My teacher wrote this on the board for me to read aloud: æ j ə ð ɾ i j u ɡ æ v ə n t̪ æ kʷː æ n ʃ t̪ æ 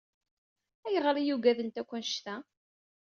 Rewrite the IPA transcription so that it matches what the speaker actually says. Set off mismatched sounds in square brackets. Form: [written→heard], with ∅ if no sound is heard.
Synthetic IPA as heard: æ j ə [ð→ʁ] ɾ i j u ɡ æ [v→ð] ə n t̪ æ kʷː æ n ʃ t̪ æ